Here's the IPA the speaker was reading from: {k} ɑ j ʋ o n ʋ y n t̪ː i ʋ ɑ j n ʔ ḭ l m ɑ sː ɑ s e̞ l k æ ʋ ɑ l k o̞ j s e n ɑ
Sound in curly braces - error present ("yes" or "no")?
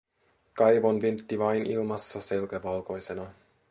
no